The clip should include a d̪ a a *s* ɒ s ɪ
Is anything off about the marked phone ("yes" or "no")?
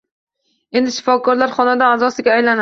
yes